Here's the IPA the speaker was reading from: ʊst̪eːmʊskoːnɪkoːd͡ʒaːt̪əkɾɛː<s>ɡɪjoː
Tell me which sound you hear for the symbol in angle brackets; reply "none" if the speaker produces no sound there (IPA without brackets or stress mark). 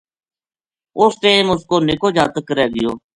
none